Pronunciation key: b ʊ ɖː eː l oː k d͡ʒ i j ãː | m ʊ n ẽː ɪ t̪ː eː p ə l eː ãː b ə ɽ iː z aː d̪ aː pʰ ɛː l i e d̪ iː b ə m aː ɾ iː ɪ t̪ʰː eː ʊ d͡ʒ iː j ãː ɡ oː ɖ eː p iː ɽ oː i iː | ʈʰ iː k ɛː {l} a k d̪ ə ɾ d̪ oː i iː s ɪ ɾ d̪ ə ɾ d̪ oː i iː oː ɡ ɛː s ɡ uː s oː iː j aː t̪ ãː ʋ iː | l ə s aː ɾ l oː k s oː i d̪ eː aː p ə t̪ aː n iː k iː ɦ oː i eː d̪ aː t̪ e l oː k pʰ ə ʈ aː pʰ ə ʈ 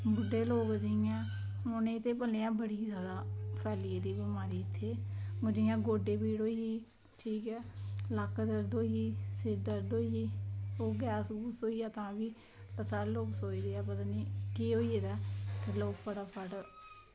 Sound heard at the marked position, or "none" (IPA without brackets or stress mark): l